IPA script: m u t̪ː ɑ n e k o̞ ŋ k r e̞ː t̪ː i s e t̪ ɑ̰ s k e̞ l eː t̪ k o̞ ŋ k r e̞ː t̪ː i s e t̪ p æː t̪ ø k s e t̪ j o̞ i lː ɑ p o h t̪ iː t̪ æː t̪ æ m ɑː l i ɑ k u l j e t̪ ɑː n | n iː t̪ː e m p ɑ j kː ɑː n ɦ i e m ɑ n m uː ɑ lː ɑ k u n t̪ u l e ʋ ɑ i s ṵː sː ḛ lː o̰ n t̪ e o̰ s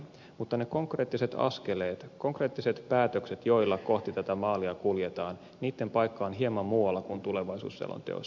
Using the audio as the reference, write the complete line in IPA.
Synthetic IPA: m u t̪ː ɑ n e k o̞ ŋ k r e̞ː t̪ː i s e t̪ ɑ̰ s k e̞ l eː t̪ k o̞ ŋ k r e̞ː t̪ː i s e t̪ p æː t̪ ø k s e t̪ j o̞ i lː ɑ k o h t̪ i t̪ æ t̪ æ m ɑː l i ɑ k u l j e t̪ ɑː n | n iː t̪ː e m p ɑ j kː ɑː n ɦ i e m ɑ m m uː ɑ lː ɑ k u n t̪ u l e ʋ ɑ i s ṵː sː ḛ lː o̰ n t̪ e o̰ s

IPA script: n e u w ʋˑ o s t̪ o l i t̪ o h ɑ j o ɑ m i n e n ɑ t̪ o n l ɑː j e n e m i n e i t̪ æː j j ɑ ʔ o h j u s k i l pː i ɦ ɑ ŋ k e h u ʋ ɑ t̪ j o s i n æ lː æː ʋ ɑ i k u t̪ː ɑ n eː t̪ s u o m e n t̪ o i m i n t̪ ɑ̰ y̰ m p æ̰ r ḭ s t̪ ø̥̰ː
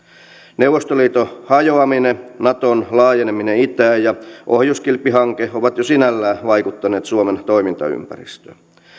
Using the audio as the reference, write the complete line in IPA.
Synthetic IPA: n e u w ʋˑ o s t̪ o l iː t̪ o h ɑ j o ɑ m i n e n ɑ t̪ o n l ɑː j e n e m i n e i t̪ æː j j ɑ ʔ o h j u s k i l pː i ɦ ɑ ŋ k e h o ʋ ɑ t̪ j o s i n æ lː æː ʋ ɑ i k u t̪ː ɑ n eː t̪ s u o m e n t̪ o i m i n t̪ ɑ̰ y̰ m p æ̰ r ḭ s t̪ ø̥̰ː

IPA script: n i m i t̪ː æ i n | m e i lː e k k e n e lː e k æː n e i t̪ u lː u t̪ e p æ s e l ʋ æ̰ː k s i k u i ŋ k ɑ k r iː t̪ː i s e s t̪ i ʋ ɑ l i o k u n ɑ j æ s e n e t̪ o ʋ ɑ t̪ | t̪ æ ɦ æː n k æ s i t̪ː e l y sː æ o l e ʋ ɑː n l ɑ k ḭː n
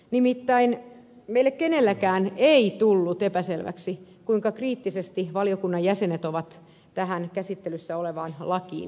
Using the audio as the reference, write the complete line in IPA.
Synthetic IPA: n i m i t̪ː æ i n | m e i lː e k k e n e lː æ k æː n e i t̪ u lː u t̪ e p æ s e l ʋ æ̰ k s i k u i ŋ k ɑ k r iː t̪ː i s e s t̪ i ʋ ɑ l i o k u nː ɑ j æ s e n e t̪ o ʋ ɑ t̪ | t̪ æ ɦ æ n k æ s i t̪ː e l y sː æ o l e ʋ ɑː n l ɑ k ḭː n

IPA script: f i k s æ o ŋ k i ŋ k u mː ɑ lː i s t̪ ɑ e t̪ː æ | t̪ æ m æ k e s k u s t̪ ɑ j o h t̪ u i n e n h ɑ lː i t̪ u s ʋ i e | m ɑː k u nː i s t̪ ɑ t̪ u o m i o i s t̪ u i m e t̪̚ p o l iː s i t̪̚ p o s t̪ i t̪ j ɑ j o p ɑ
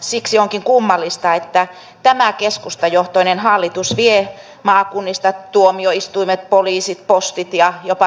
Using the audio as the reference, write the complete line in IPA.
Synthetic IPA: s i k s i o ŋ k i ŋ k u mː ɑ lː i s t̪ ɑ e t̪ː æ | t̪ æ m æ k e s k u s t̪ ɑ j o h t̪ o i n e n h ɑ lː i t̪ u s ʋ i e | m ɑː k u nː i s t̪ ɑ t̪ u o m i o i s t̪ u i m e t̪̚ p o l iː s i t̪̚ p o s t̪ i t̪ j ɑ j o p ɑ

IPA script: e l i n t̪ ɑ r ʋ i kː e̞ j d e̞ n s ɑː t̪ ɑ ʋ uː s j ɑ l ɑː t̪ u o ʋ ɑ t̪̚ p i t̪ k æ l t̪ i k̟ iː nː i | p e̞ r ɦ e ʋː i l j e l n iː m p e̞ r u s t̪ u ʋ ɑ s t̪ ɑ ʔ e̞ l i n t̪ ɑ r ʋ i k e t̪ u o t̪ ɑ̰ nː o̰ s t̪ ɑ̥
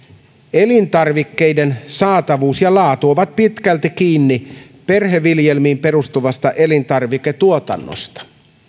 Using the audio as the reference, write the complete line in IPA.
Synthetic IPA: e l i n t̪ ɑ r ʋ i kː e̞ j d e̞ n s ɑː t̪ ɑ ʋ uː s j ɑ l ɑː t̪ u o ʋ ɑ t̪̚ p i t̪ k æ l t̪ i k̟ iː nː i | p e̞ r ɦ e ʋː i l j e l m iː m p e̞ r u s t̪ u ʋ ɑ s t̪ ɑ ʔ e̞ l i n t̪ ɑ r ʋ i k e t̪ u o t̪ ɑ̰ nː o̰ s t̪ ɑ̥

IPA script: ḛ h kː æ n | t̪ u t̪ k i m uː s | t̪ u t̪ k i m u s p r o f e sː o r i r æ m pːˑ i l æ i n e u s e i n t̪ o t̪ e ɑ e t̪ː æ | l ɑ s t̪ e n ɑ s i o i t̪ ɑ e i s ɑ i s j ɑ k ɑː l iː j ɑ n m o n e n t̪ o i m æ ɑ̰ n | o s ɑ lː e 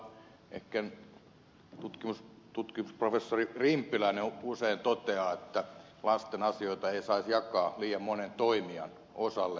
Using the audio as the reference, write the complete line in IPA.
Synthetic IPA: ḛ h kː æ n | t̪ u t̪ k i m u s | t̪ u t̪ k i m u s p r o f e sː o r i r i m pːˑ i l æ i n e u s e i n t̪ o t̪ e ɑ e t̪ː æ | l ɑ s t̪ e n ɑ s i o i t̪ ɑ e i s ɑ i s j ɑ k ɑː l iː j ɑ m m o n e n t̪ o i m i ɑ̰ n | o s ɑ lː e

